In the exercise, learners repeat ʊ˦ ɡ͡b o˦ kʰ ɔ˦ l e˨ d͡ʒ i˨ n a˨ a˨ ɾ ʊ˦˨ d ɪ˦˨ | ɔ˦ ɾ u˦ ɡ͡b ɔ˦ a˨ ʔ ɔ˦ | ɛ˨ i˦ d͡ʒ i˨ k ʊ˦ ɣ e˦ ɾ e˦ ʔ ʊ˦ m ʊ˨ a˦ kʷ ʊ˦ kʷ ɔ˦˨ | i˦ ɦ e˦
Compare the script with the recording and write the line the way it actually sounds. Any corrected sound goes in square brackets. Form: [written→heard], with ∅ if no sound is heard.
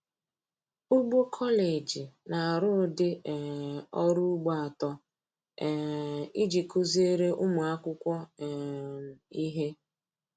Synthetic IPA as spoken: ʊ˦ ɡ͡b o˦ kʰ ɔ˦ l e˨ d͡ʒ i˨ n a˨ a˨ ɾ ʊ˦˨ d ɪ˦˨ | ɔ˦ ɾ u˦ ɡ͡b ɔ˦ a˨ [ʔ→t] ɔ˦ | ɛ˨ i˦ d͡ʒ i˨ k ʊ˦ [ɣ→z] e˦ ɾ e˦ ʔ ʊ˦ m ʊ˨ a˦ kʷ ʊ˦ kʷ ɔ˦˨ | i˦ ɦ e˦